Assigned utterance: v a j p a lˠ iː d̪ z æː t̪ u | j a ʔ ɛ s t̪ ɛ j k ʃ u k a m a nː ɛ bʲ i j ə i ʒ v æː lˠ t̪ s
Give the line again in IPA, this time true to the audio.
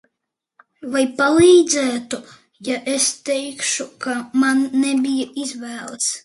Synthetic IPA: v a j p a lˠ iː d̪ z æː t̪ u | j a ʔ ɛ s t̪ ɛ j k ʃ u k a m a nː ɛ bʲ i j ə i z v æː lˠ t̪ s

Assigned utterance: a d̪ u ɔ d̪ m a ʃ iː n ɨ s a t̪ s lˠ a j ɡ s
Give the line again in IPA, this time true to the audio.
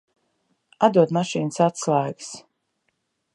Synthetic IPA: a d̪ u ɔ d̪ m a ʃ iː n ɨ s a t̪ s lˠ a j ɡ s

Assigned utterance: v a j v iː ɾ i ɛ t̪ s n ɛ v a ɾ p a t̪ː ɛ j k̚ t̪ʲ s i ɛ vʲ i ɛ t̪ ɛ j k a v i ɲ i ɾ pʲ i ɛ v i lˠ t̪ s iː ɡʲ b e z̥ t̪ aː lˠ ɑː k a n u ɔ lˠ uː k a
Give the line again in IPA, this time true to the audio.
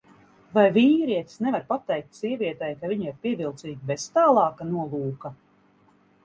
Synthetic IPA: v a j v iː ɾ i ɛ t̪ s n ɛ v a ɾ p a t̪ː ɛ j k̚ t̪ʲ s i ɛ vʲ i ɛ t̪ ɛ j k a v i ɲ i ɾ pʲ i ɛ v i lˠ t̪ s iː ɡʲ b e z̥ t̪ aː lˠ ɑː k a n u ɔ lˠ uː k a

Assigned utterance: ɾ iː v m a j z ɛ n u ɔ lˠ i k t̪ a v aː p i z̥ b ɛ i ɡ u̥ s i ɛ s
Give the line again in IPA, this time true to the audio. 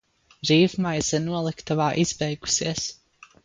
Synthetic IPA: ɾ iː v m a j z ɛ n u ɔ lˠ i k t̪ a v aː ʔ i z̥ b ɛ j ɡ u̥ s i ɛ s

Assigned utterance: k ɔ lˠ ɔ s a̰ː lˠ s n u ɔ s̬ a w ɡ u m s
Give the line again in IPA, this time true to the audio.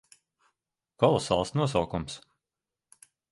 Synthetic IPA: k ɔ lˠ ɔ s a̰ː lˠ s n u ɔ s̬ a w k u m s

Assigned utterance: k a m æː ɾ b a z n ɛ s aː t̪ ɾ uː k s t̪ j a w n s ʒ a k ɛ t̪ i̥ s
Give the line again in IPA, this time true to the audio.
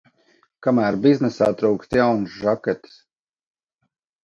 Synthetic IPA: k a m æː ɾ b i z n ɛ s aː t̪ ɾ uː k s t̪ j a w n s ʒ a k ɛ t̪ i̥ s

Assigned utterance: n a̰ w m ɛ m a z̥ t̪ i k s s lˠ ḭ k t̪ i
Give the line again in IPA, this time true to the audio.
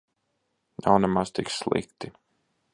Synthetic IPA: n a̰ w n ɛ m a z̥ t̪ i k s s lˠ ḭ k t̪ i

